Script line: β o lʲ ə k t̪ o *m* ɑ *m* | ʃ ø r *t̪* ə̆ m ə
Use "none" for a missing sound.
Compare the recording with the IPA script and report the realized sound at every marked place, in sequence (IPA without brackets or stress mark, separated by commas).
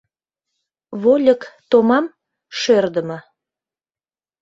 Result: m, m, d̪